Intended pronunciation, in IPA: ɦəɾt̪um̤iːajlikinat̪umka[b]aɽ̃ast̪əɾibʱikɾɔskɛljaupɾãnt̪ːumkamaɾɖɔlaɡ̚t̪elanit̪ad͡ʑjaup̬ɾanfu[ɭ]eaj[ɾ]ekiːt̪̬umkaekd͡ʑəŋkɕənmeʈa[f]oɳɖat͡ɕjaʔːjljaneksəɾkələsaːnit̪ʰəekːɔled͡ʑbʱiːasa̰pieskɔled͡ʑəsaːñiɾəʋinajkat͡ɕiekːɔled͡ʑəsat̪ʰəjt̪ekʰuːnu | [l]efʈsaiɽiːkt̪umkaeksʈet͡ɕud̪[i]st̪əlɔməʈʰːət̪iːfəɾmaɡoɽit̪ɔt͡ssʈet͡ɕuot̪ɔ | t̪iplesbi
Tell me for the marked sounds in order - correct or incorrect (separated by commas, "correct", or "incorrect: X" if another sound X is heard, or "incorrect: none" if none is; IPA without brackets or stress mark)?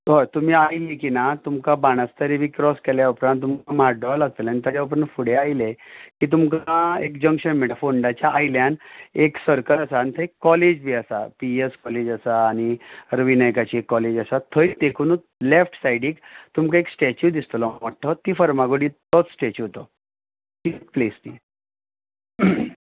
correct, incorrect: ɽ, incorrect: l, correct, correct, correct